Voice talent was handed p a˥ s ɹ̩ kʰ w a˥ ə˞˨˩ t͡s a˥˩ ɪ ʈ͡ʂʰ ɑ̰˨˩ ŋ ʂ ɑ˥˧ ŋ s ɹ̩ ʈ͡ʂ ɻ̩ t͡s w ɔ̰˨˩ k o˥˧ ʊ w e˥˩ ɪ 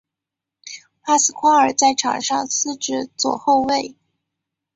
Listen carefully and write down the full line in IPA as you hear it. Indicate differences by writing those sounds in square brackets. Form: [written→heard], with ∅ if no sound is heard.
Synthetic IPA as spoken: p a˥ s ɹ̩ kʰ w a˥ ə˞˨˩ t͡s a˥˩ ɪ ʈ͡ʂʰ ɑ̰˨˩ ŋ ʂ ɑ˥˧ ŋ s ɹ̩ ʈ͡ʂ ɻ̩ t͡s w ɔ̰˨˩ [k→x] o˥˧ ʊ w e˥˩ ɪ